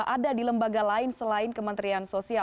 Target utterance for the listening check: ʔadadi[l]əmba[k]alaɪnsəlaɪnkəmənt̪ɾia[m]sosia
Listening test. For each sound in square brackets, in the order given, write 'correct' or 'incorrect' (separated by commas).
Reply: correct, incorrect, incorrect